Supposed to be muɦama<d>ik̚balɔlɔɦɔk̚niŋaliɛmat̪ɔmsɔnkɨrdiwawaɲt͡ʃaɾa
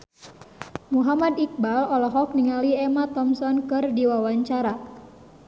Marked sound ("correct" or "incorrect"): correct